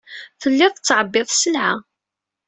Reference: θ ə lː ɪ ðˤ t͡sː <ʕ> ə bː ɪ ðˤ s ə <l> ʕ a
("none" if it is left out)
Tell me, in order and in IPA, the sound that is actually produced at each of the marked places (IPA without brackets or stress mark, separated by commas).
ʕ, l